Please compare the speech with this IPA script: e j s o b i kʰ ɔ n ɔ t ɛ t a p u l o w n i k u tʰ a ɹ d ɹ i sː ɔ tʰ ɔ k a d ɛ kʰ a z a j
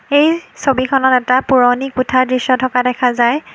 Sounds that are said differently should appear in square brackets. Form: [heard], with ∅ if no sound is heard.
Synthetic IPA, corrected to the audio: e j s o b i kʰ ɔ n ɔ t ɛ t a p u [ɹ] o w n i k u tʰ a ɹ d ɹ i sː ɔ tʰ ɔ k a d ɛ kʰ a z a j

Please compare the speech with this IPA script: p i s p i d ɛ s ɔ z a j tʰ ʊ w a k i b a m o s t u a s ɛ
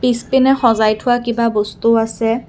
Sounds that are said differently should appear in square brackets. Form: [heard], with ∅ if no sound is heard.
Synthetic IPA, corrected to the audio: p i s p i [n] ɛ [x] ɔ z a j tʰ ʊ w a k i b a [b] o s t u a s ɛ

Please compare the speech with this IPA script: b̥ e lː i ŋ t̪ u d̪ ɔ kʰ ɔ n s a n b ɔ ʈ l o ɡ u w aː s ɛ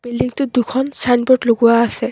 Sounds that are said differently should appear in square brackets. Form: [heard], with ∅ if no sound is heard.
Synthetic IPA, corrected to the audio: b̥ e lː i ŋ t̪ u d̪ [u] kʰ ɔ n s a n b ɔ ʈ l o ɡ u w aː s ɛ

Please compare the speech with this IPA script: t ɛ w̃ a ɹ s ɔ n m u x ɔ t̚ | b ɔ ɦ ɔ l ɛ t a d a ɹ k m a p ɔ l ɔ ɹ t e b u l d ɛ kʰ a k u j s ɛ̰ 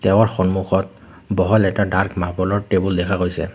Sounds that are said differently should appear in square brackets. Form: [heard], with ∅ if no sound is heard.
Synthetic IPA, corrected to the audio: t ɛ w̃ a ɹ [x] ɔ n m u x ɔ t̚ | b ɔ ɦ ɔ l ɛ t a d a ɹ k m a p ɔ l ɔ ɹ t e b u l d ɛ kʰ a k [o] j s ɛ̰

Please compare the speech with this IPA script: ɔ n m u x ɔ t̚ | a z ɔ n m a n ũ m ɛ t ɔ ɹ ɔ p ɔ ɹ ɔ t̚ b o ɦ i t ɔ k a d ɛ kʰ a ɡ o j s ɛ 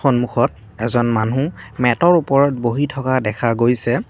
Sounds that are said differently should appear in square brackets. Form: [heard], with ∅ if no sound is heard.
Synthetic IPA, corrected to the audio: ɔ n m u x ɔ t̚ | [ɛ] z ɔ n m a n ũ m ɛ t ɔ ɹ [u] p ɔ ɹ ɔ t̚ b o ɦ i [tʰ] ɔ k a d ɛ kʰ a ɡ o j s ɛ

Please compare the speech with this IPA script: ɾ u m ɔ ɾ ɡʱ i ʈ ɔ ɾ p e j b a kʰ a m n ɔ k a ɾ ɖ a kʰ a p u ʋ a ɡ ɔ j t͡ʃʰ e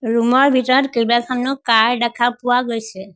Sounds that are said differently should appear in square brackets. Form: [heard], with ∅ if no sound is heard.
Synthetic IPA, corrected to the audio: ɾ u m ɔ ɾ [bʱ] i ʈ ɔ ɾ [k] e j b a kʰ a m n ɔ k a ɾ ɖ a kʰ a p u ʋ a ɡ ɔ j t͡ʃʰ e

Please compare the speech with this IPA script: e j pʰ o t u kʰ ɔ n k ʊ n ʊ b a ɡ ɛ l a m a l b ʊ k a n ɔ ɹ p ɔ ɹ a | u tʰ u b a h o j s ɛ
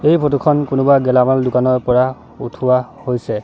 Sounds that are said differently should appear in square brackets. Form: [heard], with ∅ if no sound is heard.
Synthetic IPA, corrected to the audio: e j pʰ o t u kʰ ɔ n k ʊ n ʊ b a ɡ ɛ l a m a l [d] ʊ k a n ɔ ɹ p ɔ ɹ a | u tʰ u [w] a h o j s ɛ

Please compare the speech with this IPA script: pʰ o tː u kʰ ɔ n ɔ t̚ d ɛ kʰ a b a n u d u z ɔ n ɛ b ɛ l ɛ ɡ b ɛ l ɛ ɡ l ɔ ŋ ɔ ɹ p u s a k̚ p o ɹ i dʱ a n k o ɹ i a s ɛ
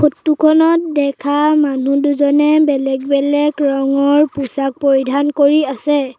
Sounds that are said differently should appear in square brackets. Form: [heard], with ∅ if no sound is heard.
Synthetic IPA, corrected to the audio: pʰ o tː u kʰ ɔ n ɔ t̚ d ɛ kʰ a [m] a n u d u z ɔ n ɛ b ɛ l ɛ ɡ b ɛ l ɛ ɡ [ɹ] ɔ ŋ ɔ ɹ p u s a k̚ p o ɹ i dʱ a n k o ɹ i a s ɛ

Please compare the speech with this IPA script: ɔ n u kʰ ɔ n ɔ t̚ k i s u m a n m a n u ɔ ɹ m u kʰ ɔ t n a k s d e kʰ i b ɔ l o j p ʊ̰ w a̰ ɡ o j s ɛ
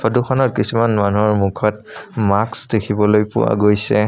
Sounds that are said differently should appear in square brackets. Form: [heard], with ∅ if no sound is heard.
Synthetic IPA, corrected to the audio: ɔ [d] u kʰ ɔ n ɔ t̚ k i s u m a n m a n u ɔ ɹ m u kʰ ɔ t [m] a k s d e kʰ i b ɔ l o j p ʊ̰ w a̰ ɡ o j s ɛ

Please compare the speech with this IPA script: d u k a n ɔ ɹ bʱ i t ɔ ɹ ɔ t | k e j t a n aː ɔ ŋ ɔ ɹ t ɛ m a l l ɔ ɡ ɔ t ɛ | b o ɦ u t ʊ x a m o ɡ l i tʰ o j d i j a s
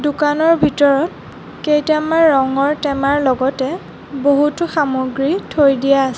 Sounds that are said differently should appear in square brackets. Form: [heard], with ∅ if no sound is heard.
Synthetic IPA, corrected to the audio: d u k a n ɔ ɹ bʱ i t ɔ ɹ ɔ t | k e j t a [m] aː ɔ ŋ ɔ ɹ t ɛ m a [ɹ] l ɔ ɡ ɔ t ɛ | b o ɦ u t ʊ x a m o ɡ [ɹ] i tʰ o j d i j a s

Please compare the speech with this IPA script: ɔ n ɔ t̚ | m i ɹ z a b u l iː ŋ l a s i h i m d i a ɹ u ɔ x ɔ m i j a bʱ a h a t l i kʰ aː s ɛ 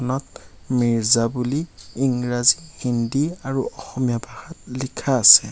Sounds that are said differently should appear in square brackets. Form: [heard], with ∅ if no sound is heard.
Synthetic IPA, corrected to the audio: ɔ n ɔ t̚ | m i ɹ z a b u l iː ŋ [ɹ] a [z] i h i [n] d i a ɹ u ɔ x ɔ m i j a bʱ a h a t l i kʰ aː s ɛ

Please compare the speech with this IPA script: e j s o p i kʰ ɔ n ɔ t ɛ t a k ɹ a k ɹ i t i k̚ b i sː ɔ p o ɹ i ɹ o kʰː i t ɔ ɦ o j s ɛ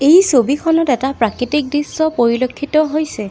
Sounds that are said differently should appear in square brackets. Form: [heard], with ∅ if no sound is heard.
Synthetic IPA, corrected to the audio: e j s o [b] i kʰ ɔ n ɔ t ɛ t a [p] ɹ a k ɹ i t i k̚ [d] i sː ɔ p o ɹ i [l] o kʰː i t ɔ ɦ o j s ɛ

